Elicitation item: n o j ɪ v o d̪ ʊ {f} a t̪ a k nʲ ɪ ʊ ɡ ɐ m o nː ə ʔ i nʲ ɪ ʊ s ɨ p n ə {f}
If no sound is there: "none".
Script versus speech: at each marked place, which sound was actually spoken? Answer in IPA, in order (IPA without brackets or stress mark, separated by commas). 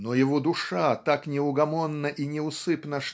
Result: ʂ, ʂ